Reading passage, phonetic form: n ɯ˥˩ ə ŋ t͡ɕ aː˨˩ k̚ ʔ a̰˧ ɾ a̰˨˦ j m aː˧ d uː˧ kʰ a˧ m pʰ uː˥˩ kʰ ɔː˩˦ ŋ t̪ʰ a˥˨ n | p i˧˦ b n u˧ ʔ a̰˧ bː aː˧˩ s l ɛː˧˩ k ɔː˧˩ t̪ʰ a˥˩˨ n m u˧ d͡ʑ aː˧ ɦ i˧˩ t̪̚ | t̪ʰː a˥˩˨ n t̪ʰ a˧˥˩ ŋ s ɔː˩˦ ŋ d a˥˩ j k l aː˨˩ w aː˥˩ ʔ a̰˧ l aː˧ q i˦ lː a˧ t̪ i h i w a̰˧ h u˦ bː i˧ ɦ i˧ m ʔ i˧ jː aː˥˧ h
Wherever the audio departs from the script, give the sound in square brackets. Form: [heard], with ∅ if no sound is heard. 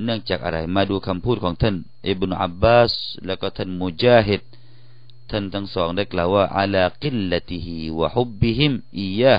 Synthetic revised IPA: n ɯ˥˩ ə ŋ t͡ɕ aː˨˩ k̚ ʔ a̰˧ ɾ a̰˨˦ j m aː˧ d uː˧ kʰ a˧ m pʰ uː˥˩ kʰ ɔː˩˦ ŋ t̪ʰ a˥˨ n | [ʔ] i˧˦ b n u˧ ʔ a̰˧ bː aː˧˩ s l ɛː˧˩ k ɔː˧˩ t̪ʰ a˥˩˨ n m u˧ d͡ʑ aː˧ ɦ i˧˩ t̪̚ | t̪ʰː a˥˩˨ n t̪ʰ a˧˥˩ ŋ s ɔː˩˦ ŋ d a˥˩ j k l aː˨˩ w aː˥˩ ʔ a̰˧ l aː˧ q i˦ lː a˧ t̪ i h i w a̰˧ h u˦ bː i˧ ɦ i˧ m ʔ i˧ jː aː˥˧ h